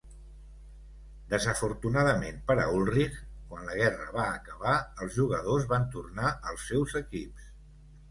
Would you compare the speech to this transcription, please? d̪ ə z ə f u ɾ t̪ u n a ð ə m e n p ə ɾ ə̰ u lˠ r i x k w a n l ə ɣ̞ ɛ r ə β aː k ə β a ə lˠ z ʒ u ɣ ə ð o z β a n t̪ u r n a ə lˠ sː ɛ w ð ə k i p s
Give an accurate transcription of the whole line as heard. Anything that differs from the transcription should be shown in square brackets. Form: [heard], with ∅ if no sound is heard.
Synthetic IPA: d̪ ə z ə f u ɾ t̪ u n a ð ə m e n p ə ɾ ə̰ u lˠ r i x k w a n l ə ɣ̞ ɛ r ə β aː k ə β a ə lˠ z ʒ u ɣ ə ð o z β a n t̪ u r n a ə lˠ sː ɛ w [z] ə k i p s